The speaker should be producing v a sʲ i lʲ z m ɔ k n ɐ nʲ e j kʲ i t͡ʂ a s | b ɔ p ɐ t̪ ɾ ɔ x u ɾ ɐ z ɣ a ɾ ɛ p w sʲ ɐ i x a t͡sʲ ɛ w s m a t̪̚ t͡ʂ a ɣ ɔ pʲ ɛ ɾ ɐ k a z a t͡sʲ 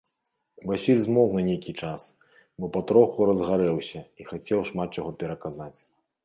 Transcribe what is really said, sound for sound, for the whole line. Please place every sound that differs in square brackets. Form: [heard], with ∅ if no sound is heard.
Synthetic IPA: v a sʲ i lʲ z m ɔ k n ɐ nʲ e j kʲ i t͡ʂ a s | b ɔ p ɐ t̪ ɾ ɔ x u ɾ ɐ z ɣ a ɾ ɛ [∅] w sʲ ɐ i x a t͡sʲ ɛ w [ʂ] m a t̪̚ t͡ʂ a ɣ ɔ pʲ ɛ ɾ ɐ k a z a t͡sʲ